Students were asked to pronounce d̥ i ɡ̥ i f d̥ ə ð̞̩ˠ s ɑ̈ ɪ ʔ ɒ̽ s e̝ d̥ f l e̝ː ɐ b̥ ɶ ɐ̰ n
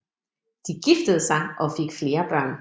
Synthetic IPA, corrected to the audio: d̥ i ɡ̥ i f d̥ ə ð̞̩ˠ s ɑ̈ ɪ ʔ ɒ̽ f e̝ ɡ̥ f l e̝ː ɐ b̥ ɶ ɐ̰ n